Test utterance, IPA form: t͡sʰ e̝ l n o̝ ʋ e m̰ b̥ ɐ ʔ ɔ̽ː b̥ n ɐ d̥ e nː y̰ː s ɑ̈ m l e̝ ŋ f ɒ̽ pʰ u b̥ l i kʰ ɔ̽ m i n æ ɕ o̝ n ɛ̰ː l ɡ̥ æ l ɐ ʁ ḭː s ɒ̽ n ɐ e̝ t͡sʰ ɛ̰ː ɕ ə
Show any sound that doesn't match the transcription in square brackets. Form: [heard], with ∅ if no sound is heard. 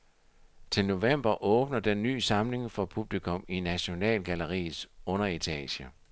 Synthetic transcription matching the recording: t͡sʰ e̝ l n o̝ ʋ e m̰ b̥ ɐ ʔ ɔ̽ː b̥ n ɐ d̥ e nː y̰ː s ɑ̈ m l e̝ ŋ f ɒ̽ pʰ u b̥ l i kʰ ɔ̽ m i n æ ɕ o̝ n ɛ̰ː l ɡ̥ æ l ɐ ʁ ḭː s [ɔ̽] n ɐ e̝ t͡sʰ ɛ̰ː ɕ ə